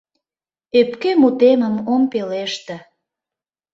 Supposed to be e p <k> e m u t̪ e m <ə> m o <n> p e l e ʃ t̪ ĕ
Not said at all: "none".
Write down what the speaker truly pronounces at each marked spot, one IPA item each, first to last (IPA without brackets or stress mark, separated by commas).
k, ə, m